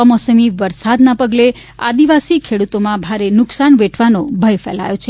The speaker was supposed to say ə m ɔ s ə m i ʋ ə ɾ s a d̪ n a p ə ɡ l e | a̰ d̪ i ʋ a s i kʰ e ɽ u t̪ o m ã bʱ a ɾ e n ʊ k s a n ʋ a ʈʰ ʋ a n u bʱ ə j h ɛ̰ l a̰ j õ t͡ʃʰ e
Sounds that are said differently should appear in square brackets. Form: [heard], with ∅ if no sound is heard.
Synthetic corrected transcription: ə m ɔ s ə m i ʋ ə ɾ s a d̪ n a p ə ɡ l e | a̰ d̪ i ʋ a s i kʰ e ɽ u t̪ o m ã bʱ a ɾ e n ʊ k s a n ʋ [e] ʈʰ ʋ a n [o] bʱ ə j [f] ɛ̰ l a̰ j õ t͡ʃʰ e

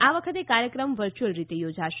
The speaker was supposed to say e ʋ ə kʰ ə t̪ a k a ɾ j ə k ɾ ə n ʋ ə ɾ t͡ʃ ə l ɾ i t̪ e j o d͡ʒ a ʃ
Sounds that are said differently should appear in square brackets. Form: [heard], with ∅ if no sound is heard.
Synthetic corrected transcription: [a] ʋ ə kʰ ə t̪ [e] k a ɾ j ə k ɾ ə [m] ʋ ə ɾ t͡ʃ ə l ɾ i t̪ e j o d͡ʒ a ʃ

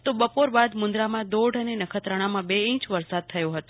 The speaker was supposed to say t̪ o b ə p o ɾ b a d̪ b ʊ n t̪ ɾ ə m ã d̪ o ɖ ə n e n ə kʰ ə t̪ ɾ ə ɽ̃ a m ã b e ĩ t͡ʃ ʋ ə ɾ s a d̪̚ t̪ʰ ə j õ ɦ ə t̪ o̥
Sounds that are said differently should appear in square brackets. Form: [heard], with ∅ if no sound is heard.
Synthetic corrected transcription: t̪ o b ə p o ɾ b a d̪ [m] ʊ n [d̪] ɾ [a] m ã d̪ o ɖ ə n e n ə kʰ ə t̪ ɾ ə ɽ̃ a m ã b e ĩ t͡ʃ ʋ ə ɾ s a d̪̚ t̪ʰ ə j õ ɦ ə t̪ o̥

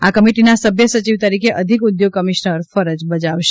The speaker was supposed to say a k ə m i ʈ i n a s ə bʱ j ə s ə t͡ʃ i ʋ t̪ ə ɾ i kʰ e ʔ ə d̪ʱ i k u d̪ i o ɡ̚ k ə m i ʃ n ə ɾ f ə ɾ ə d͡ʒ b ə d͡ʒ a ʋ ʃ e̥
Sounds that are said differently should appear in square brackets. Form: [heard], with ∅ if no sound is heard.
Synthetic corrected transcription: a k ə m i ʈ i n a s ə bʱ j ə s ə t͡ʃ i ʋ t̪ ə ɾ i kʰ e ʔ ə d̪ʱ i k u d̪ [j] o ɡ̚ k ə m i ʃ n ə ɾ f ə ɾ ə d͡ʒ b ə d͡ʒ a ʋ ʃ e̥

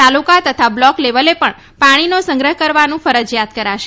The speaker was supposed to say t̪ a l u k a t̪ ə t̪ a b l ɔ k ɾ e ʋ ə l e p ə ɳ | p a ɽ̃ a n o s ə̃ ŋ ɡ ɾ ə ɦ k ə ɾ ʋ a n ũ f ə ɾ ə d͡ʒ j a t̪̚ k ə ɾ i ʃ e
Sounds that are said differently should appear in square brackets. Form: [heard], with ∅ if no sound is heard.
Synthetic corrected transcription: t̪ a l u k a t̪ ə [t̪ʰ] a b l ɔ k [l] e ʋ ə l e p ə ɳ | p a ɽ̃ [i] n o s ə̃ ŋ ɡ ɾ ə ɦ k ə ɾ ʋ a n ũ f ə ɾ ə d͡ʒ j a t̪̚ k ə ɾ [a] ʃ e

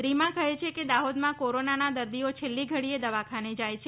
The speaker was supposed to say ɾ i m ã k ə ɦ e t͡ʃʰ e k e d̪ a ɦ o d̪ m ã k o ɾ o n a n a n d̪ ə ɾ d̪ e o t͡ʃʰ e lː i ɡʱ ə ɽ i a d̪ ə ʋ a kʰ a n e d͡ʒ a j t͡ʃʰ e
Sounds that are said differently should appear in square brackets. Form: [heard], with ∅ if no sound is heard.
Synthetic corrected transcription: ɾ i m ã k ə ɦ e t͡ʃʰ e k e d̪ a ɦ o d̪ m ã k o ɾ o n a n a [∅] d̪ ə ɾ d̪ [i] o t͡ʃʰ e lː i ɡʱ ə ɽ i [e] d̪ ə ʋ a kʰ a n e d͡ʒ a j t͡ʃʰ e

